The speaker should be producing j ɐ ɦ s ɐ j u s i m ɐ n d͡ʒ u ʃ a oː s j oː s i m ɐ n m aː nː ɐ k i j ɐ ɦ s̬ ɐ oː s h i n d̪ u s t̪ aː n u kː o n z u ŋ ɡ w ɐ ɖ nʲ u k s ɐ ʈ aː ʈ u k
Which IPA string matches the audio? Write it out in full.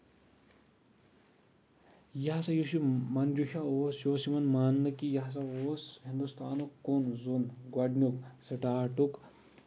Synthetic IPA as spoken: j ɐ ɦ s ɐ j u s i m ɐ n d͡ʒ u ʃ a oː s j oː s i m ɐ n m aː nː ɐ k i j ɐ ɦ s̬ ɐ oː s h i n d̪ u s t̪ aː n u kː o n z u n ɡ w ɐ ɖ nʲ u k s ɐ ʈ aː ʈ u k